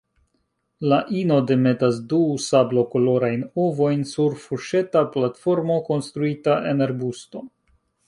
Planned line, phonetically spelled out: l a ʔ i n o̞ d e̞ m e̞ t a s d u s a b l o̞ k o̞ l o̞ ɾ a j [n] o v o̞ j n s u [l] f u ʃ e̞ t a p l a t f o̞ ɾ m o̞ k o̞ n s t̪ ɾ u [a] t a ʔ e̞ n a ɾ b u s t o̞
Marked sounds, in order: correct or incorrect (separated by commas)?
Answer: correct, incorrect, incorrect